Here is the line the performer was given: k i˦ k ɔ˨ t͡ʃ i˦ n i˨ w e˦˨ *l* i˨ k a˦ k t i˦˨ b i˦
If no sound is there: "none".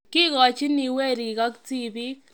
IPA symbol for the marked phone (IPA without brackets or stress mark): ɾ